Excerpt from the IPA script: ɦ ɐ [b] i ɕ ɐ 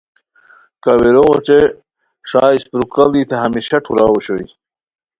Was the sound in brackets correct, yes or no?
no